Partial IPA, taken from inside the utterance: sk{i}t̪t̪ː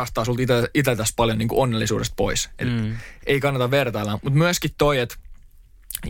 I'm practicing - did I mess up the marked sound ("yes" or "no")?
no